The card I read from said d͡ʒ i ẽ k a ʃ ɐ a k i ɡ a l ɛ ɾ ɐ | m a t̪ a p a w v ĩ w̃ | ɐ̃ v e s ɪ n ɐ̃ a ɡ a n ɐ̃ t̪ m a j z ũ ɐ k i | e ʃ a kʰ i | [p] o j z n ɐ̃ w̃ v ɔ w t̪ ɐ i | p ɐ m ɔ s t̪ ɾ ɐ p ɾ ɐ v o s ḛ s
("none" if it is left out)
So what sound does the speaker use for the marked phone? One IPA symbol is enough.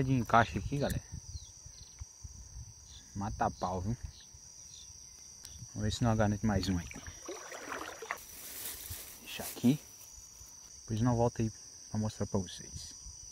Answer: p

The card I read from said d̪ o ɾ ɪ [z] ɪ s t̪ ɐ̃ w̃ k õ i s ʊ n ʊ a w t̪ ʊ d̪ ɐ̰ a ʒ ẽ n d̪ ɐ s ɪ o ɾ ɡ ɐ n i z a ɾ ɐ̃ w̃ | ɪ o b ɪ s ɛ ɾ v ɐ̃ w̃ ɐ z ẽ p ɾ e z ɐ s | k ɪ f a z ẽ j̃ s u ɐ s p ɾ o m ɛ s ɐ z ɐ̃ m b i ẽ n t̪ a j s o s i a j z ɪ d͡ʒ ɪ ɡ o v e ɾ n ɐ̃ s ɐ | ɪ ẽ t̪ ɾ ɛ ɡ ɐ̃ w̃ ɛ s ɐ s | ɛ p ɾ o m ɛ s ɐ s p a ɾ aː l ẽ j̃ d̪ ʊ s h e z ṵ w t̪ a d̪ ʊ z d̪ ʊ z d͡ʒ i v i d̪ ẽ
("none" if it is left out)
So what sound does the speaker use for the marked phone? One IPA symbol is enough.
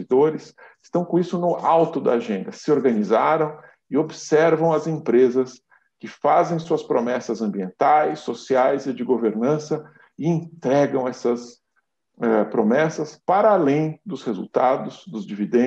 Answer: s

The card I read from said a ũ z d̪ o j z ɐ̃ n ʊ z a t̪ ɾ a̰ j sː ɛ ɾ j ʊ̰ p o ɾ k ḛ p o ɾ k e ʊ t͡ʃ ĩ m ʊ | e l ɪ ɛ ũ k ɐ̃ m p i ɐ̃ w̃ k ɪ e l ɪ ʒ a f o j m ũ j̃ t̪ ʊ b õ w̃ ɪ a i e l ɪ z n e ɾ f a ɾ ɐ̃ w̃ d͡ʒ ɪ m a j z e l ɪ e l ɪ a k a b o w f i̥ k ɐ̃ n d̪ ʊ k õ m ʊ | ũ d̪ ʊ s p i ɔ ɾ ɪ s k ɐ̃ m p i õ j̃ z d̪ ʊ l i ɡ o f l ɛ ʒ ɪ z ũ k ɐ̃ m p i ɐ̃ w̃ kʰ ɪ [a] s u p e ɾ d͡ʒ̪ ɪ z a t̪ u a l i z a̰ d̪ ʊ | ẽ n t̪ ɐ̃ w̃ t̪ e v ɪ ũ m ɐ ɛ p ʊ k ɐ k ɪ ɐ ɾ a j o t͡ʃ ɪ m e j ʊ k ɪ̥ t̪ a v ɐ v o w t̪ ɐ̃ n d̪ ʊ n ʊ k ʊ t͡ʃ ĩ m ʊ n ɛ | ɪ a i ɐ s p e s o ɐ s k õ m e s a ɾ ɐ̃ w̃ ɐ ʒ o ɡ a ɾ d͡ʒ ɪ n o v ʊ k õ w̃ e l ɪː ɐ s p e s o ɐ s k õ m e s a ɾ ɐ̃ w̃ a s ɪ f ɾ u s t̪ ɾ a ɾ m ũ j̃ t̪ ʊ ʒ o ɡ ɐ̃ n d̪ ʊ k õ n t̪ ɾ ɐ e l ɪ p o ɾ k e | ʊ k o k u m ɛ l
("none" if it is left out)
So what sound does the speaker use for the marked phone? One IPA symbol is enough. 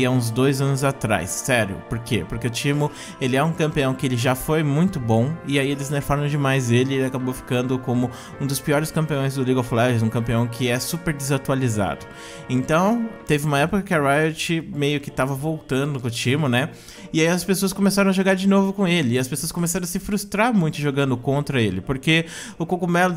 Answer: ɛ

